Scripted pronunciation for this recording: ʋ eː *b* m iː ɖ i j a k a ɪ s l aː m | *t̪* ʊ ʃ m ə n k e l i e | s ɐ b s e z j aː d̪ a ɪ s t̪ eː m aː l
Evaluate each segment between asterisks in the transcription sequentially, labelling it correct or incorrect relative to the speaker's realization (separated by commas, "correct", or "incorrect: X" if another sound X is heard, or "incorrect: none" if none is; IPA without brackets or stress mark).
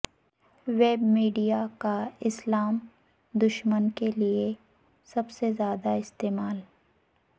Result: correct, incorrect: d̪